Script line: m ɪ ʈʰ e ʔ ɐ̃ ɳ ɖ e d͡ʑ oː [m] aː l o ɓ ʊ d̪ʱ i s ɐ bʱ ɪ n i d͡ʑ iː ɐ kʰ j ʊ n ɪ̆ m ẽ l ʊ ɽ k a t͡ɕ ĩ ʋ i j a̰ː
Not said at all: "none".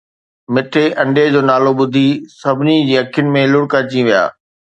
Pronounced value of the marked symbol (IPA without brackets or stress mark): n